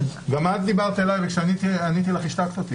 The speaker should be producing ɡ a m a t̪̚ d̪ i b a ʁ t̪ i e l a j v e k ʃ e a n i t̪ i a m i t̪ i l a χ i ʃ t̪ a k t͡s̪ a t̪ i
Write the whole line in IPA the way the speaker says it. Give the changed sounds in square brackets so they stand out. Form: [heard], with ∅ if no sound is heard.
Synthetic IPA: ɡ a m a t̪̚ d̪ i b a ʁ t̪ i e l a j v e k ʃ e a n i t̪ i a [n] i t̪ i l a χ i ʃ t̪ a k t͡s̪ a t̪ i

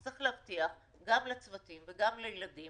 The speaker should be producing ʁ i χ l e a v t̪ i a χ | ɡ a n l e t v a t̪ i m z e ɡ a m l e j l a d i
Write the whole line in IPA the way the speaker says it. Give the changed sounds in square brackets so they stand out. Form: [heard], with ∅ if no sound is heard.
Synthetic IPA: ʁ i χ l e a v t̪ i a χ | ɡ a [m] l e [t͡s] v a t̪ i m [v] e ɡ a m l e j l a d i

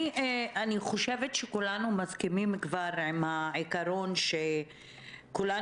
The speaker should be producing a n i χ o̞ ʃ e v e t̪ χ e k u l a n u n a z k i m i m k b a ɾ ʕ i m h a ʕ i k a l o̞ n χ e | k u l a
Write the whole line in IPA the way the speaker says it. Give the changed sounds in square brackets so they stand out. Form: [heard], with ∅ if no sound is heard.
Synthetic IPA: a n i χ o̞ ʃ e v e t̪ [ʃ] e k u l a n u [m] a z k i m i m k [v] a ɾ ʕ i m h a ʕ i k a [ɾ] o̞ n [ʃ] e | k u l a

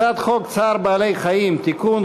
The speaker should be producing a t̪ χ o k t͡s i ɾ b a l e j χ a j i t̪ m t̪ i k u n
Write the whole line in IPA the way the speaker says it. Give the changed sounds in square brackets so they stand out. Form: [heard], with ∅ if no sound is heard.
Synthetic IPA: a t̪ χ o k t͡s [a] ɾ b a l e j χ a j i [∅] m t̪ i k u n

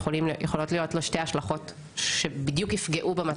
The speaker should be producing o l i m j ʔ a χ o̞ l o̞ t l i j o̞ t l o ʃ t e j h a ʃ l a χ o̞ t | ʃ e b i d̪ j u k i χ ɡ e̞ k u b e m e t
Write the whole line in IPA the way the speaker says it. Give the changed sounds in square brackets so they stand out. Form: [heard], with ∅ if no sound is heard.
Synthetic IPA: o l i m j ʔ [e] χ o̞ l o̞ t l i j o̞ t l o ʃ t e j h a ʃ l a χ o̞ t | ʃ e b i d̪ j u k i [f] ɡ e̞ [ʔ] u b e m [a] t

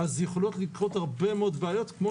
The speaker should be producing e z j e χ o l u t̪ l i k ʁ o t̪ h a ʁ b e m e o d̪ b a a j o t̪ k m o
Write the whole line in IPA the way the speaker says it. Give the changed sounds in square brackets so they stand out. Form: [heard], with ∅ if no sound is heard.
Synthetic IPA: [a] z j e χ o l [o] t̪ l i k ʁ o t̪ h a ʁ b e m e o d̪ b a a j o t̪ k m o

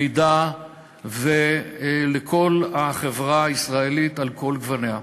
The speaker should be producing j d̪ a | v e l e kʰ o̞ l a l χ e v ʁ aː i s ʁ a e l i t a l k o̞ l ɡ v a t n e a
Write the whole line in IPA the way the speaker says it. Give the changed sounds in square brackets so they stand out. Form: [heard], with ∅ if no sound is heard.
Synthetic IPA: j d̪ a | v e l e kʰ o̞ l a [∅] χ e v ʁ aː i s ʁ a e l i t a l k o̞ l ɡ v a [∅] n e a

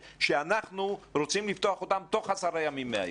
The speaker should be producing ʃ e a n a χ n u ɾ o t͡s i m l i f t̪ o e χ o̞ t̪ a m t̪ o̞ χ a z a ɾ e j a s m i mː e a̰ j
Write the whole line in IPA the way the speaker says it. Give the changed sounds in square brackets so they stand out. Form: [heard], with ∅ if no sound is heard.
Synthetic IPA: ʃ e a n a χ n u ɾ o t͡s i m l i f t̪ o [a] χ o̞ t̪ a m t̪ o̞ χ a [s] a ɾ [a] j a [∅] m i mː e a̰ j

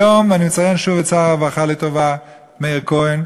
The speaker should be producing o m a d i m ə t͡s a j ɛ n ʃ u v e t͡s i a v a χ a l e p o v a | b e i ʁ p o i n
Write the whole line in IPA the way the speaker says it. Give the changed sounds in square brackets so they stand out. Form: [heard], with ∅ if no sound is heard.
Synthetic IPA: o m a [n] i m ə t͡s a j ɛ n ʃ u v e t͡s [a] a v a χ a l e [t] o v a | [m] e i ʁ [k] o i n

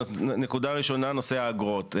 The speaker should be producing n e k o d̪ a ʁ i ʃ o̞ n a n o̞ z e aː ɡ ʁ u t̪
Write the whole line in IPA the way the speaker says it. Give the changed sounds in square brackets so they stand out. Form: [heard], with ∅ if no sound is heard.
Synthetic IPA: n e k [u] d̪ a ʁ i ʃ o̞ n a n o̞ [s] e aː ɡ ʁ [o] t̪

